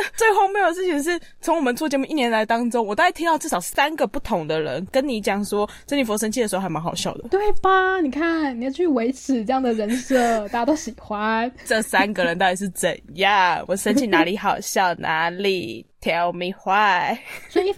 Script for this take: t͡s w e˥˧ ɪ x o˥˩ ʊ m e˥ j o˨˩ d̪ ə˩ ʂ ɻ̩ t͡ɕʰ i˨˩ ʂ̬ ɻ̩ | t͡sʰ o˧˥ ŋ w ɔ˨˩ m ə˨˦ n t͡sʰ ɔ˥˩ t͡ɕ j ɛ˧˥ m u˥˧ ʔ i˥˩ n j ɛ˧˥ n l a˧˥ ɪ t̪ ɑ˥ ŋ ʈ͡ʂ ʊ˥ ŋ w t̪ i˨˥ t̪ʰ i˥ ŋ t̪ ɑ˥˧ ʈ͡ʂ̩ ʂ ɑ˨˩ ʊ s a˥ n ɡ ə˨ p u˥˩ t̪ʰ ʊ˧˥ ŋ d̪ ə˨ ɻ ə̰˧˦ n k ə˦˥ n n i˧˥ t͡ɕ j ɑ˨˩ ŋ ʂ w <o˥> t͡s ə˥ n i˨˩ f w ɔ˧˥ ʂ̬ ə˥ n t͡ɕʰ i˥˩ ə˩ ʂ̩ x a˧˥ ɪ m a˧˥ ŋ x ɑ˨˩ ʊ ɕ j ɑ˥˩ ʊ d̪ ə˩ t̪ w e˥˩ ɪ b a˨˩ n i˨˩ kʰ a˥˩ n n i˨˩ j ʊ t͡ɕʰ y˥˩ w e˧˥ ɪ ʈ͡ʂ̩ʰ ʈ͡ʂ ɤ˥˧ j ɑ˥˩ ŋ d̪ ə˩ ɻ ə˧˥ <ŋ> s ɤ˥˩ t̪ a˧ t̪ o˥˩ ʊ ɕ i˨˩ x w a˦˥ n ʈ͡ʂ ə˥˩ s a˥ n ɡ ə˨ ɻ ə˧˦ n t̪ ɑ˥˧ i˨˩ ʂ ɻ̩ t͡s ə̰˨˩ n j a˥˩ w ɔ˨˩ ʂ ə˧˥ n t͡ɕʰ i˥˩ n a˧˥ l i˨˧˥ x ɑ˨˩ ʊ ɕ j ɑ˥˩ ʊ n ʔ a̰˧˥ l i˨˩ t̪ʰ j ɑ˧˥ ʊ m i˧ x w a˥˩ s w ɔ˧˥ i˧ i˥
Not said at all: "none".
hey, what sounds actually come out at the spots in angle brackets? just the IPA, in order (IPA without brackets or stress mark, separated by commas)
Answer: ɔ˥, n